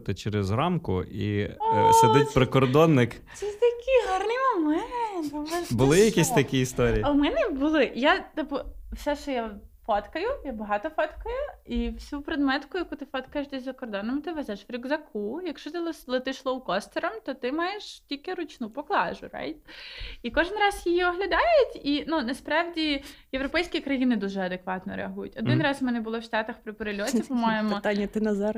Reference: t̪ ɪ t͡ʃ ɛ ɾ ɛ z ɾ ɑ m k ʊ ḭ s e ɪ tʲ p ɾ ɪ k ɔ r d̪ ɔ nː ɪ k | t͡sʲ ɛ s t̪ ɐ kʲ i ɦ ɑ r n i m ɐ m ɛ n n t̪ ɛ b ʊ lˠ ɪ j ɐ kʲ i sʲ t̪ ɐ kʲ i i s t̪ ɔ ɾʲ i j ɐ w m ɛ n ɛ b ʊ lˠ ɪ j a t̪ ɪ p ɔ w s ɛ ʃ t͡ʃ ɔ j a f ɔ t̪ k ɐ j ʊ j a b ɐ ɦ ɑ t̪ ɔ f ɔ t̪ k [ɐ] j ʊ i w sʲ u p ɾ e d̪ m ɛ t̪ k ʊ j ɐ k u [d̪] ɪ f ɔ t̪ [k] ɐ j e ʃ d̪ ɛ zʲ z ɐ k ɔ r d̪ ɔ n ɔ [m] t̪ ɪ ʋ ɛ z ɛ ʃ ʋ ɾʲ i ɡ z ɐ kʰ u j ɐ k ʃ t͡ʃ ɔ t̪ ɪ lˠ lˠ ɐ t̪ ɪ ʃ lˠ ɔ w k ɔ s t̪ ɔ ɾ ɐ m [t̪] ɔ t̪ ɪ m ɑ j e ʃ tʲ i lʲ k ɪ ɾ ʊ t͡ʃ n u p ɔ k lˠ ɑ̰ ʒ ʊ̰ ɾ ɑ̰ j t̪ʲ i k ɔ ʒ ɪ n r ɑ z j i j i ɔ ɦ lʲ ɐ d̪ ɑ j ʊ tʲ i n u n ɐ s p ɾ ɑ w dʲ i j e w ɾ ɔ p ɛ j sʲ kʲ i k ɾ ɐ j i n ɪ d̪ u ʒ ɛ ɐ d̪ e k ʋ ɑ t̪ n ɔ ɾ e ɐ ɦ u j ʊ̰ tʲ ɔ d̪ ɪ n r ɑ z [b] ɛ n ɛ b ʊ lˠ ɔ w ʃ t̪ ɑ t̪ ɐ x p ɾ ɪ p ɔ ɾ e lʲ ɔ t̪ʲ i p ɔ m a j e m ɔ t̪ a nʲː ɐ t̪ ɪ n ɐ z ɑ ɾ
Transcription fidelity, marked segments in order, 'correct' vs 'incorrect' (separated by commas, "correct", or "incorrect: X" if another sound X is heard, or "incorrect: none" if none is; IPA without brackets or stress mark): correct, incorrect: t̪, correct, correct, correct, incorrect: m